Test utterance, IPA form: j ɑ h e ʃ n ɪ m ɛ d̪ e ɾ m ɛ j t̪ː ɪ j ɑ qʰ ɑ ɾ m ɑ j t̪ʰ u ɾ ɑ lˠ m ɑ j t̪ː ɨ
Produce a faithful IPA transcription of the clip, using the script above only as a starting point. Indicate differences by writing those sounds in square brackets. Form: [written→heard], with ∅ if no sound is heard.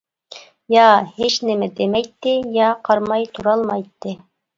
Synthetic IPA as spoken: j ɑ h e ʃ n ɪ m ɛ d̪ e [ɾ→∅] m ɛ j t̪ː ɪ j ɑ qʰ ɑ ɾ m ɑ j t̪ʰ u ɾ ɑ lˠ m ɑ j t̪ː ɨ